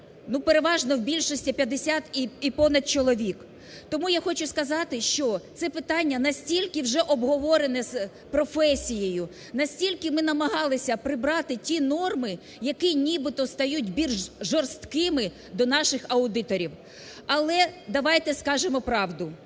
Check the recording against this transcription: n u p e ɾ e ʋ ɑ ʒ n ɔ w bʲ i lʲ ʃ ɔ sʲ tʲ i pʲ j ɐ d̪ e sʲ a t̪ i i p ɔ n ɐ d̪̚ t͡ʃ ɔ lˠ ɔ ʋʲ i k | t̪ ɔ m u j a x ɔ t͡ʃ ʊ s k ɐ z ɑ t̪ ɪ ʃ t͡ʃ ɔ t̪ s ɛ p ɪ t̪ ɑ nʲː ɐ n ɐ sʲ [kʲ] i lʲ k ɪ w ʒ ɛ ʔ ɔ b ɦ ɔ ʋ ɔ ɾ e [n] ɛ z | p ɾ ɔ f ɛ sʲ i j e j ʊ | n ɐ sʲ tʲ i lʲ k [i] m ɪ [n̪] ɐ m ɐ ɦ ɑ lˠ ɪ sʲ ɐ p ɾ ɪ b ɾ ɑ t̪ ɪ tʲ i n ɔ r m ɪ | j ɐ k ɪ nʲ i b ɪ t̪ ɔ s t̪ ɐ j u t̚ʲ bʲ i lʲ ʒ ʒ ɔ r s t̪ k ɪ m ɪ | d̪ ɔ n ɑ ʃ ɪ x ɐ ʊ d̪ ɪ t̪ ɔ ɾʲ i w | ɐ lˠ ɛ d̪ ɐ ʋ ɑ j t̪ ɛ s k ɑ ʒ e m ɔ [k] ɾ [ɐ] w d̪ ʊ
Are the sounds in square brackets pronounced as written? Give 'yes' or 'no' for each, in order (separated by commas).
no, yes, no, yes, no, no